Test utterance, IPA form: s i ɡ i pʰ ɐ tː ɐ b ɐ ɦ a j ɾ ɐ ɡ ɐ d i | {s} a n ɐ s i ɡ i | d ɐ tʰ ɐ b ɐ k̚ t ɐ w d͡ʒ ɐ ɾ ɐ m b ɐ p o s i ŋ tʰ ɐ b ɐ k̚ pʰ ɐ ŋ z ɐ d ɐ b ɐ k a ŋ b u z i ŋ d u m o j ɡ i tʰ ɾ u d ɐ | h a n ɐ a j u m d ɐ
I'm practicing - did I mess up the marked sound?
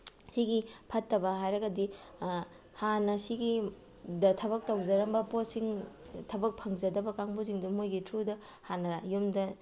yes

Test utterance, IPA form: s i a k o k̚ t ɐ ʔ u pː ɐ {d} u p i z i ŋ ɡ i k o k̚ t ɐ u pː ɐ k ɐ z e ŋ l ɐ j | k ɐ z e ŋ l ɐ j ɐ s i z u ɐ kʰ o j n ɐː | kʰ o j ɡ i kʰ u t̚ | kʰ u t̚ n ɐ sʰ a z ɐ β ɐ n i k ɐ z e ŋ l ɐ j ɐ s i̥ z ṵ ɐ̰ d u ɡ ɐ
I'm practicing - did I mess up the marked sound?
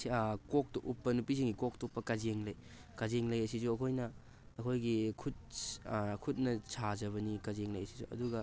yes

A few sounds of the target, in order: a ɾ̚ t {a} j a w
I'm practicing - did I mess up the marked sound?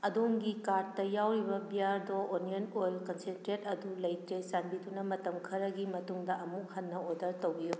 yes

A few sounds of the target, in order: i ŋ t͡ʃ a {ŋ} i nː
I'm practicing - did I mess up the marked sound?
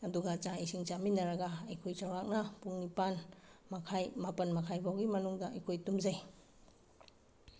yes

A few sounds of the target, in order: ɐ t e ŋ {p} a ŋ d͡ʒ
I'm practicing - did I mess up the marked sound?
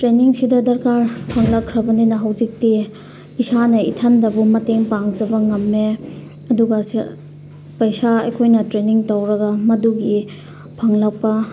no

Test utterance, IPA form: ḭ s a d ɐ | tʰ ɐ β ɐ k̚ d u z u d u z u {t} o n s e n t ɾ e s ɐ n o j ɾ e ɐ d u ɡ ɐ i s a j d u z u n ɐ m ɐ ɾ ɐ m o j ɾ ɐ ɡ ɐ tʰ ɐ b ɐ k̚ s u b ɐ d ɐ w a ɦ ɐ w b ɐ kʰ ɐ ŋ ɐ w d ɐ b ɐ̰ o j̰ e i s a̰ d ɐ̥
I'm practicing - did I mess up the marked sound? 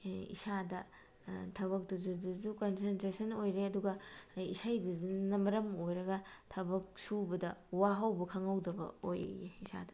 yes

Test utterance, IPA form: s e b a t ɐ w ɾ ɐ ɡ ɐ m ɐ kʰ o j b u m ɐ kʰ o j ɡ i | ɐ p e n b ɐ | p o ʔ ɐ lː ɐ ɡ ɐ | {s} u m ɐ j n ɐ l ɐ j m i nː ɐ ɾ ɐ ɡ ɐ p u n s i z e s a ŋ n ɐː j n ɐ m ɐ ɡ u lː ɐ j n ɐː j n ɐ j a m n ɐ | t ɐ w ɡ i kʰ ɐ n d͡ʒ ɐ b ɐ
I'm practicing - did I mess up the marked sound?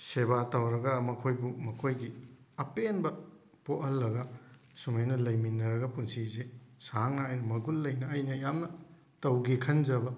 no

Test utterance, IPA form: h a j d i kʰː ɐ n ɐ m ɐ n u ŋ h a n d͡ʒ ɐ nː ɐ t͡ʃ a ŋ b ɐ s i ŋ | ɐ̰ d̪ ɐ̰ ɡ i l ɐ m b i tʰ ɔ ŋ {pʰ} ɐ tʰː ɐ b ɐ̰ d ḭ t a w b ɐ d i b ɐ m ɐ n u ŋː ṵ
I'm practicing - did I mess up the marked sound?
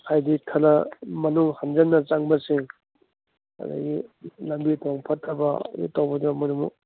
no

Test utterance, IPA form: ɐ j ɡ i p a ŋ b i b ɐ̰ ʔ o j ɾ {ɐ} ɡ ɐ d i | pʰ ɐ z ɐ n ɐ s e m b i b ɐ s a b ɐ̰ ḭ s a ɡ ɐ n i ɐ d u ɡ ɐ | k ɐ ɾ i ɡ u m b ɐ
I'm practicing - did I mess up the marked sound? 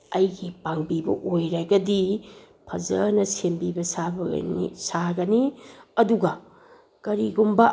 yes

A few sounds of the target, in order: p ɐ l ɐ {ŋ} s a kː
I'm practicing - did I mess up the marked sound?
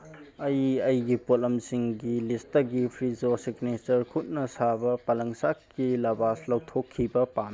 no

